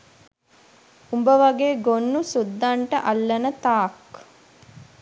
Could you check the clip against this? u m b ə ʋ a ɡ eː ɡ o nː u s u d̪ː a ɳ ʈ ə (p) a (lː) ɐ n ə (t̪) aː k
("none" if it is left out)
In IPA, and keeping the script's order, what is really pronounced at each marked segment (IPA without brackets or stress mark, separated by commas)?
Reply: ʔ, lː, t̪